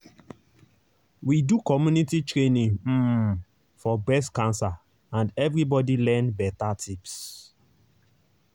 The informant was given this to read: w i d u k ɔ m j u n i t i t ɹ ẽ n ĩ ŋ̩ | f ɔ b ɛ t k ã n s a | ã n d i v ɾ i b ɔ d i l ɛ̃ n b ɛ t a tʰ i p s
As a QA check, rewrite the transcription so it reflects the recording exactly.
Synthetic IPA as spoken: w i d u k ɔ m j u n i t i t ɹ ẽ n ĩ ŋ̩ | f ɔ b ɛ s k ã n s a | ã n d ɛ v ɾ i b ɔ d i l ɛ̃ n b ɛ t a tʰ i p s